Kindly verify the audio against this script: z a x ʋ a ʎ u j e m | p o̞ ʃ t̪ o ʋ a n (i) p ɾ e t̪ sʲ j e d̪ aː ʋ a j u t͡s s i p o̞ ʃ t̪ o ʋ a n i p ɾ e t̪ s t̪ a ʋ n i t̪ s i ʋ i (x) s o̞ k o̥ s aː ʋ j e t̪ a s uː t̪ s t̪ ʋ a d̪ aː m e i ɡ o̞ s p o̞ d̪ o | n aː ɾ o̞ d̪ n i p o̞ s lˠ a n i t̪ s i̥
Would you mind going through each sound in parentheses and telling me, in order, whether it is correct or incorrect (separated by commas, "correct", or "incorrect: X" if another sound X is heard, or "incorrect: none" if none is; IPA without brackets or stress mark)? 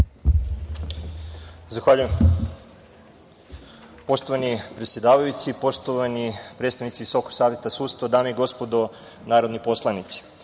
correct, incorrect: none